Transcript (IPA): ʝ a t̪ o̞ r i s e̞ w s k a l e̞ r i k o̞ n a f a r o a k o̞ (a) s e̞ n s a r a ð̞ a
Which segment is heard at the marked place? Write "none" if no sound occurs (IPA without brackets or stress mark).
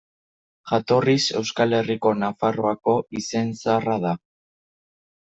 i